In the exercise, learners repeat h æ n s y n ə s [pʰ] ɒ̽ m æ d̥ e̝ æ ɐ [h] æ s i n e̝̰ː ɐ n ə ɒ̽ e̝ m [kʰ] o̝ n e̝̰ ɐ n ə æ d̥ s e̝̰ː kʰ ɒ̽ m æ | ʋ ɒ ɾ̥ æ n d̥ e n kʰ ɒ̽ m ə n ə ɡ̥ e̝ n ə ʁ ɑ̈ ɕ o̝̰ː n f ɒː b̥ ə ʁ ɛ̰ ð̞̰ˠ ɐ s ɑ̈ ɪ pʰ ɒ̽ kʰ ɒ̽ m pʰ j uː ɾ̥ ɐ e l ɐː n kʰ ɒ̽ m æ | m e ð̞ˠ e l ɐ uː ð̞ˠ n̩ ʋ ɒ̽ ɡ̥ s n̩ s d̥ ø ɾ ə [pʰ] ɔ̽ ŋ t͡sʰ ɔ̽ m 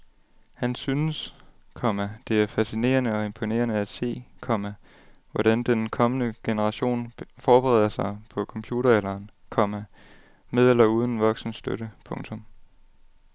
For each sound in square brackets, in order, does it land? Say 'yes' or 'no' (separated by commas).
no, no, no, yes